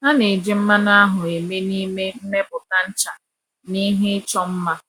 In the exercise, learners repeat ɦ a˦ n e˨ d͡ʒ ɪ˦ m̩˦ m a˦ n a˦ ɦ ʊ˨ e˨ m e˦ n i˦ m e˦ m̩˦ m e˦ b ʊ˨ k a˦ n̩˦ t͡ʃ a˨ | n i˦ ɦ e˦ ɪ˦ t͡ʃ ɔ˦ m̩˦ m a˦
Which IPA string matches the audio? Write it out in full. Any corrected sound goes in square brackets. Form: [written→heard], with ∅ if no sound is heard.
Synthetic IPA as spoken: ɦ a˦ n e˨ d͡ʒ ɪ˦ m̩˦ m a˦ n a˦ ɦ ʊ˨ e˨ m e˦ n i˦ m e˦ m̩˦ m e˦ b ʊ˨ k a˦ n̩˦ t͡ʃ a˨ | n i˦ ɦ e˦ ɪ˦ t͡ʃ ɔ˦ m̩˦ m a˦

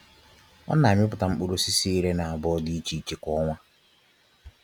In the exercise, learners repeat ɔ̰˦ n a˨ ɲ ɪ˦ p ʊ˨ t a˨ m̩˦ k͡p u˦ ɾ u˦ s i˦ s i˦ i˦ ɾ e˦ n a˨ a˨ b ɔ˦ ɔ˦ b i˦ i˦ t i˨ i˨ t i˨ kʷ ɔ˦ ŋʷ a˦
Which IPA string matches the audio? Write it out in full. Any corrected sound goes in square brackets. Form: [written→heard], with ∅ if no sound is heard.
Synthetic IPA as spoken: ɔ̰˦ n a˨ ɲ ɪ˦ p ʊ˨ t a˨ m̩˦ k͡p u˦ ɾ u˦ s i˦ s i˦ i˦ ɾ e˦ n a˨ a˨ b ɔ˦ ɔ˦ [b→d] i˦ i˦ [t→t͡ʃ] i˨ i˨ [t→t͡ʃ] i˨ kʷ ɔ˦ ŋʷ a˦

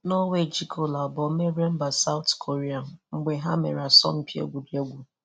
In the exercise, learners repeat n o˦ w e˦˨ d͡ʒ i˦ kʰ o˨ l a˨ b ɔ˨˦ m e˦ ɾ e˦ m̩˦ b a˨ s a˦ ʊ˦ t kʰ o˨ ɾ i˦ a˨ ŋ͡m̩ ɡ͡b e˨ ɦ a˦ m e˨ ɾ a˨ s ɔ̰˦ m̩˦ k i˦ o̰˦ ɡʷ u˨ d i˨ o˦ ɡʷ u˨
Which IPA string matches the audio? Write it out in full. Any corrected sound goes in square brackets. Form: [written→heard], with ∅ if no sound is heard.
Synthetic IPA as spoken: n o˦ w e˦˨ d͡ʒ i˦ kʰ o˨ l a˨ b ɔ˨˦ m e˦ ɾ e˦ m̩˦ b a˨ s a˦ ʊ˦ t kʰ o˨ ɾ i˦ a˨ ŋ͡m̩ ɡ͡b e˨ ɦ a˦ m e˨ ɾ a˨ s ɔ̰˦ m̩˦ [k→p] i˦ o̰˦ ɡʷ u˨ d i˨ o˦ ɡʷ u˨

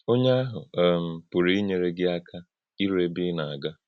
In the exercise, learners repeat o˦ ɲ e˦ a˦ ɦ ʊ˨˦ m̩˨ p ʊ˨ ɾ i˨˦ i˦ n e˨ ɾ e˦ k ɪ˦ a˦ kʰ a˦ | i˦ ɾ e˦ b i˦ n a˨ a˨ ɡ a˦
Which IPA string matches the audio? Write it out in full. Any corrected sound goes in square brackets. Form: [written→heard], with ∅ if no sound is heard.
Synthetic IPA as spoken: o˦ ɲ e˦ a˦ ɦ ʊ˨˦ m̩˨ p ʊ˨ ɾ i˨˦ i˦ [n→ɲ] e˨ ɾ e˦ [k→ɡ] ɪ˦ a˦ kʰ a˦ | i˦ ɾ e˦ b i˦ n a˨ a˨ ɡ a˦

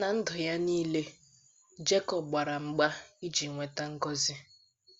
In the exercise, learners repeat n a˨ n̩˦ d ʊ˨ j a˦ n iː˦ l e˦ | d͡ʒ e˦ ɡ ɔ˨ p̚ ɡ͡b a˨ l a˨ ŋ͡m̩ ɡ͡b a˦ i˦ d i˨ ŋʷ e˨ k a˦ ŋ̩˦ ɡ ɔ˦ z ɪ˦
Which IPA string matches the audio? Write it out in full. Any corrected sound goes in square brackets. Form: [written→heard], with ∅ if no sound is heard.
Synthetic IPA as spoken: n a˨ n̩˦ d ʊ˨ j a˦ n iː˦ l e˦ | d͡ʒ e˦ [ɡ→k] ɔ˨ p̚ ɡ͡b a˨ [l→ɾ] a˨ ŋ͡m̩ ɡ͡b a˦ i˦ [d→d͡ʒ] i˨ ŋʷ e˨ [k→t] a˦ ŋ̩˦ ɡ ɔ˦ z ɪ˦

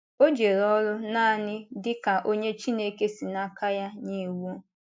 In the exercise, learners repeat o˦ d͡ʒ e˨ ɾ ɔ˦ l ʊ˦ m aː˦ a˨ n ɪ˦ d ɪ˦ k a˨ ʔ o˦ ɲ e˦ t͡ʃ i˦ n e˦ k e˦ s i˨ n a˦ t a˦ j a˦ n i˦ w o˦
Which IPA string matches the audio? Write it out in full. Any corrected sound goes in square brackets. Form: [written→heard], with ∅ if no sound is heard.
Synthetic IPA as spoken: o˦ d͡ʒ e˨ ɾ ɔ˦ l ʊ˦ [m→n] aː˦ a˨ n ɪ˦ d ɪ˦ k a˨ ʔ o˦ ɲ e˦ t͡ʃ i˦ n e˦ k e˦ s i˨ n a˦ [t→k] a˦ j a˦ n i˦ w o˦

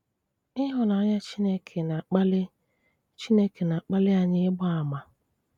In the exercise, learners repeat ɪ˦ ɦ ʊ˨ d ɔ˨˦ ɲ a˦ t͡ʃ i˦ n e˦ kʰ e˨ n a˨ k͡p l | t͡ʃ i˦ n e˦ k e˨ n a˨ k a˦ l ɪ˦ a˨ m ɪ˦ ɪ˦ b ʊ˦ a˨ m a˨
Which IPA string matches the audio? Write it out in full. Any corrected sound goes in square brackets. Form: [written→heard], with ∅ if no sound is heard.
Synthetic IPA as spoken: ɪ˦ ɦ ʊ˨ [d→n] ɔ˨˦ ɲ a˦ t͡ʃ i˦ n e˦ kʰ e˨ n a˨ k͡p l | t͡ʃ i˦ n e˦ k e˨ n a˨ [k→k͡p] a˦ l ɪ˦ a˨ [m→ɲ] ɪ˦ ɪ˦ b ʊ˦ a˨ m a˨

